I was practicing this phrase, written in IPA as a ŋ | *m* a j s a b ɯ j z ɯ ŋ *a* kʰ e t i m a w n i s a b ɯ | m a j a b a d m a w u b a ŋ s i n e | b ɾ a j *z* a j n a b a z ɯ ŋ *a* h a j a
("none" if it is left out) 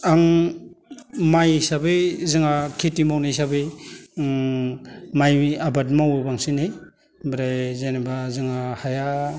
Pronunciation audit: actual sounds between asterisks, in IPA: m, a, z, a

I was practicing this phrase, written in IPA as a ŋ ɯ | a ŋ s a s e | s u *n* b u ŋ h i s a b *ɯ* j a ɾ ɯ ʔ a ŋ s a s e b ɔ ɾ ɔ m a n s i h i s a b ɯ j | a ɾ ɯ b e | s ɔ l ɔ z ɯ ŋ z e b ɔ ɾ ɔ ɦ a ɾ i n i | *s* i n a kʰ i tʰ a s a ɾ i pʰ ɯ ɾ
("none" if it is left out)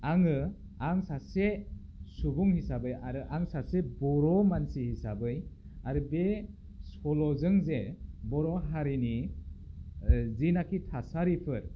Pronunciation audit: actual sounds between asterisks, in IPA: none, ɯ, z

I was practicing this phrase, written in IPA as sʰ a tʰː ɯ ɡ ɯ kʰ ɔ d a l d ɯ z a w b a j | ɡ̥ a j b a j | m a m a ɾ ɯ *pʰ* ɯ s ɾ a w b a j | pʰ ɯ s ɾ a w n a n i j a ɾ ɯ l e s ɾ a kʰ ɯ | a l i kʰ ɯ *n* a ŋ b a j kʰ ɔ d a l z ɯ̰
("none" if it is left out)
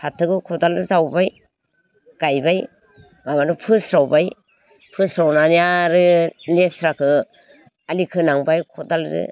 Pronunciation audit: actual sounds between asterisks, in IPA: pʰ, n

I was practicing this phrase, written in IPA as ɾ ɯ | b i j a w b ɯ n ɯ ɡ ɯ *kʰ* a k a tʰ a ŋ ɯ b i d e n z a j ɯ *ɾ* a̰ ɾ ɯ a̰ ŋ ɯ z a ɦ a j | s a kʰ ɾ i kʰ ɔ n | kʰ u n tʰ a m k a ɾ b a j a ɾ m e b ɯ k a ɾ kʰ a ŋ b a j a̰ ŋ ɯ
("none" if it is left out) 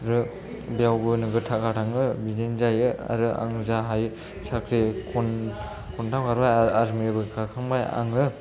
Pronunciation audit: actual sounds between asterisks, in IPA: tʰ, none

